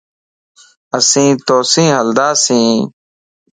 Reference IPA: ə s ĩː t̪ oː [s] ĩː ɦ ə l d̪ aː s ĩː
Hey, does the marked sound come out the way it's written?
yes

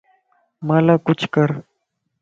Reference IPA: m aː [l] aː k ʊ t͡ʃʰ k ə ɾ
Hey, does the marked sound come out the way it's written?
yes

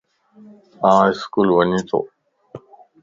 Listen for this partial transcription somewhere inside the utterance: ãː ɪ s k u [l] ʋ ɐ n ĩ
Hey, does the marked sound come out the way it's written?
yes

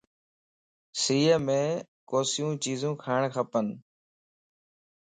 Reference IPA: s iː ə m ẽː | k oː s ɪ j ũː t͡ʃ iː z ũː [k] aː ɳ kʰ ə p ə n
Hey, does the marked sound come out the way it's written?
no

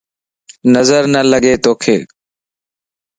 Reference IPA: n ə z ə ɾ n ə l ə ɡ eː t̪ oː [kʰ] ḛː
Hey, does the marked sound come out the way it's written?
yes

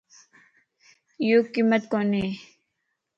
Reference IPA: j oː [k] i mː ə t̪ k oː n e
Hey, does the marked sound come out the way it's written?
yes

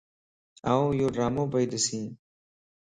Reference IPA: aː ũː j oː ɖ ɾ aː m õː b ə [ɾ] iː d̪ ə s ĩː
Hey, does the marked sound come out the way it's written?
no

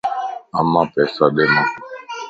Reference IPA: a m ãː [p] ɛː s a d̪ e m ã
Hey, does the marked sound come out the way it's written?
yes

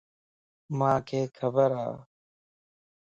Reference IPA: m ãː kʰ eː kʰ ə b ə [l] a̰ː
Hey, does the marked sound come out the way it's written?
no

